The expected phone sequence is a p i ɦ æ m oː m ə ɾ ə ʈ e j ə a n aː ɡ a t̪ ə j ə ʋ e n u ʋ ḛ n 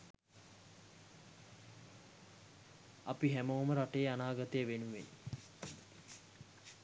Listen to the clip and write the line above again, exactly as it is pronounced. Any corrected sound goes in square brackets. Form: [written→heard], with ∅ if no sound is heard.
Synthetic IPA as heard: a p i ɦ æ m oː m ə ɾ [ə→a] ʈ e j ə a n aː ɡ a t̪ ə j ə ʋ e n u ʋ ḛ n